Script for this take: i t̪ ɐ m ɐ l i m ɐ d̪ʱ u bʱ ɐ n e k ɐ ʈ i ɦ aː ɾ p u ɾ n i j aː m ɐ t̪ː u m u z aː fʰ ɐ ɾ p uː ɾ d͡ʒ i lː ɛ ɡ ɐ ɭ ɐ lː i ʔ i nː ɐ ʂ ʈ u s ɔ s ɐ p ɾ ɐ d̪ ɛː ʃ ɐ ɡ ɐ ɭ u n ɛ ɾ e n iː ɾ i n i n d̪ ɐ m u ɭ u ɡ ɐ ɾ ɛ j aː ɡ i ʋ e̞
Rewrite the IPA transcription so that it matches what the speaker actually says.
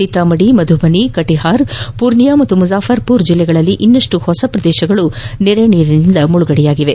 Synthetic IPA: i t̪ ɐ m ɐ ɽ i m ɐ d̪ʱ u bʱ ɐ n i k ɐ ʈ i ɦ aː ɾ p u ɾ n i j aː m ɐ t̪ː u m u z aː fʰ ɐ ɾ p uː ɾ d͡ʒ i lː ɛ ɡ ɐ ɭ ɐ lː i ʔ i nː ɐ ʂ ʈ u h ɔ s ɐ p ɾ ɐ d̪ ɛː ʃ ɐ ɡ ɐ ɭ u n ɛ ɾ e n iː ɾ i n i n d̪ ɐ m u ɭ u ɡ ɐ ɽ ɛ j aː ɡ i ʋ e̞